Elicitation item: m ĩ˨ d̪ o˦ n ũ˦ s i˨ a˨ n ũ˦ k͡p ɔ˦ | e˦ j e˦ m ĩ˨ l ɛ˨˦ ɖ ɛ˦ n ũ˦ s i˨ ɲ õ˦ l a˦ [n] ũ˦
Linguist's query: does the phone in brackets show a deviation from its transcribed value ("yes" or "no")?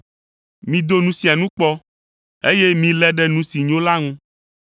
yes